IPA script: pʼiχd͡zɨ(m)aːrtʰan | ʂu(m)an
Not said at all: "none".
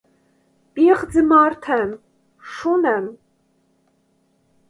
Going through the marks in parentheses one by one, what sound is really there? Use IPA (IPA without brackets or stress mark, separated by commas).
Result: m, n